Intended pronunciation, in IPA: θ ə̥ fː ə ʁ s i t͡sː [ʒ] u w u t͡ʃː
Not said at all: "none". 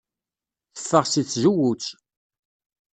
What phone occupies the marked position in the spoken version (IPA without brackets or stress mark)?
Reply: ʒ